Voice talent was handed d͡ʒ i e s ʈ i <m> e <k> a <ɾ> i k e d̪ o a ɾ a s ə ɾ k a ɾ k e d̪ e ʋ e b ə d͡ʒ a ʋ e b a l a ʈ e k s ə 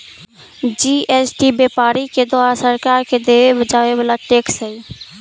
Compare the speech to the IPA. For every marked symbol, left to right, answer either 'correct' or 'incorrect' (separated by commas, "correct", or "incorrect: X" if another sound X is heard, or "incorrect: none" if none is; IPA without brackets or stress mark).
incorrect: b, incorrect: p, correct